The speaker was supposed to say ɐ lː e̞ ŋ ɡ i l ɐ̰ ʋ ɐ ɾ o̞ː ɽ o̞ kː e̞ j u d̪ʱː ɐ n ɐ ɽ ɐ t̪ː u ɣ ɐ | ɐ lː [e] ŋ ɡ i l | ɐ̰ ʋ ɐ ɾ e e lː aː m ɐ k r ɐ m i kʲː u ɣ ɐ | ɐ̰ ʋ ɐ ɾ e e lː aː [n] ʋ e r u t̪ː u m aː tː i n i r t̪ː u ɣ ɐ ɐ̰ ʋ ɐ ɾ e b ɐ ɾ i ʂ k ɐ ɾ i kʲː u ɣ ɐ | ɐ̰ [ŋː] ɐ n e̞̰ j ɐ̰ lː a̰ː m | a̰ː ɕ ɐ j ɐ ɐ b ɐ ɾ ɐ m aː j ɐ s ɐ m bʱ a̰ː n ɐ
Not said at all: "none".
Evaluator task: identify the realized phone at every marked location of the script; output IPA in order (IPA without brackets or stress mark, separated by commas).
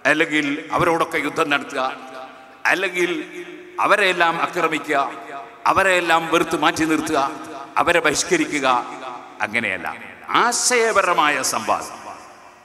e, m, ŋː